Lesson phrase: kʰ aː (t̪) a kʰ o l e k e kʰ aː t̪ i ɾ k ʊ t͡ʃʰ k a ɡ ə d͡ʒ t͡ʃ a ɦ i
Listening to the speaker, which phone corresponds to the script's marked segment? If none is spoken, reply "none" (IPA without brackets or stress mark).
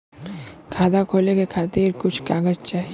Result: d̪